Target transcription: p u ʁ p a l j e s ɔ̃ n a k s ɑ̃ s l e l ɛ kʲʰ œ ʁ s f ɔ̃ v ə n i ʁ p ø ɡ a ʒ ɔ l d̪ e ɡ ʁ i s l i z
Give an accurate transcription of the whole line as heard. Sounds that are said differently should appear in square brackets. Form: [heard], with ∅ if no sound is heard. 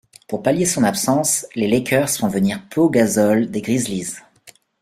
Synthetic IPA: p u ʁ p a l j e s ɔ̃ n a [p] s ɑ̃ s l e l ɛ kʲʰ œ ʁ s f ɔ̃ v ə n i ʁ p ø ɡ a [z] ɔ l d̪ e ɡ ʁ i [z] l i z